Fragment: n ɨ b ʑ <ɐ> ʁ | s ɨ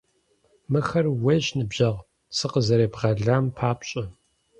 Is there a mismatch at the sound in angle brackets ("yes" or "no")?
no